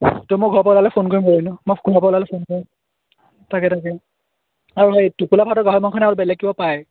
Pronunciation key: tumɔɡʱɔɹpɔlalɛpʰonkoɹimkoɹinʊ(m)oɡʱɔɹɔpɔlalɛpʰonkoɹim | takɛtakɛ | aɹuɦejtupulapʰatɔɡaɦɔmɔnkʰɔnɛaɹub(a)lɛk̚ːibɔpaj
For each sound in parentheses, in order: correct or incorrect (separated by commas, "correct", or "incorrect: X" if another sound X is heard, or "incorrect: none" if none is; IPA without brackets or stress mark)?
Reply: correct, incorrect: ɛ